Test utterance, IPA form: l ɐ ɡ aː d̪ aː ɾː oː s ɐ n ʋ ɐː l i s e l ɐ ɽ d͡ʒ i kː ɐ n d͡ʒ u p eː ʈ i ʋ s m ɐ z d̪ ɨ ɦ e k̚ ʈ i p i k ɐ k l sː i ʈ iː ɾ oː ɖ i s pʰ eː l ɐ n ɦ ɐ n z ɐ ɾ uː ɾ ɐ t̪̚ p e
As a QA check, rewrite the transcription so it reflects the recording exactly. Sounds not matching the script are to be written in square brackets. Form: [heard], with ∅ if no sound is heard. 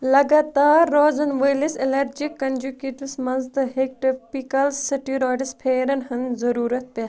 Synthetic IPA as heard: l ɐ ɡ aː [t̪] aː ɾː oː [z] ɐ n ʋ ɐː l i s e l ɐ [ɾ] d͡ʒ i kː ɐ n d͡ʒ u [k] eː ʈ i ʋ s m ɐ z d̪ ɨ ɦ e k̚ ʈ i p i k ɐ [∅] l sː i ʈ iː ɾ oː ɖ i s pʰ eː [ɾ] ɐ n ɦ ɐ n z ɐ ɾ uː ɾ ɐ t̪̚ p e